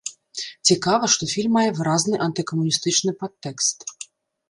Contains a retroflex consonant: yes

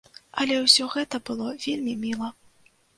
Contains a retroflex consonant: no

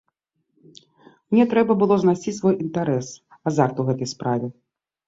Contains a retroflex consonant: no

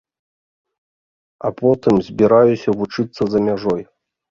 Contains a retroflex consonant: yes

